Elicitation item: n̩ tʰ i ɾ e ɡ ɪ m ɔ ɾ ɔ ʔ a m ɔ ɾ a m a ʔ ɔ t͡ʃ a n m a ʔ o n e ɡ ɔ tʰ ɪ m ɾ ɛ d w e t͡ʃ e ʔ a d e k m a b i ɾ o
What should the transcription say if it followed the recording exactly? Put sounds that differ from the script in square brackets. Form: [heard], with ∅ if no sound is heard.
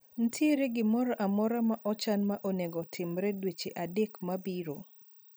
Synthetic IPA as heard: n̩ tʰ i ɾ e ɡ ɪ m ɔ ɾ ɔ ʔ a m ɔ ɾ a m a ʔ ɔ t͡ʃ a n m a ʔ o n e ɡ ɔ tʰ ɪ m ɾ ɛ d w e t͡ʃ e ʔ a d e k m a b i ɾ o